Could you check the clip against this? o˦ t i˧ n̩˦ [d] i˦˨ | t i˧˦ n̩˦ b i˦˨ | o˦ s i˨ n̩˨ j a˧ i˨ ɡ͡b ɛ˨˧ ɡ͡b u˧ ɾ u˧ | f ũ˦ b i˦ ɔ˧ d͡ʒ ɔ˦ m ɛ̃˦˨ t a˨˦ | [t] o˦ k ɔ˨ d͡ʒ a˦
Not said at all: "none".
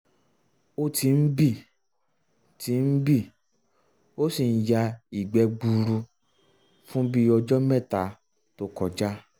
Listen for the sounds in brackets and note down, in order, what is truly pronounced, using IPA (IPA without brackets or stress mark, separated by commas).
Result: b, t